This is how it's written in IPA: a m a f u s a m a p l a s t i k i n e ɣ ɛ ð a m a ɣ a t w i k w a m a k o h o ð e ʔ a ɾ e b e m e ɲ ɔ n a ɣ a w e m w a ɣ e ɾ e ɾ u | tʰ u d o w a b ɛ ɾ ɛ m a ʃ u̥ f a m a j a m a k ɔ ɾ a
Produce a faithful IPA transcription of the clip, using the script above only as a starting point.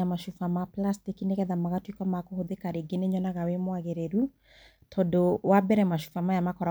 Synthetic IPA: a m a ʃ u f a m a p l a s t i k i n e ɣ ɛ ð a m a ɣ a t w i k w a m a k o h o ð e k a ɾ e ɡ e n e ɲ ɔ n a ɣ a w e m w a ɣ e ɾ e ɾ u | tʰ ɔ d o w a b ɛ ɾ ɛ m a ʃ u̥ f a m a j a m a k ɔ ɾ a